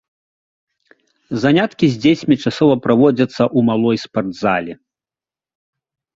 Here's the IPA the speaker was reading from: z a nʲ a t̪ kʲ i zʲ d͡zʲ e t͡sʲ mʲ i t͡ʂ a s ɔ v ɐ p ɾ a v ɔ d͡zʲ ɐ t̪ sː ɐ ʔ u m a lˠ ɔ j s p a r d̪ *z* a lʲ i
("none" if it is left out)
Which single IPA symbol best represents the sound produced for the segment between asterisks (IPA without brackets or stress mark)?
z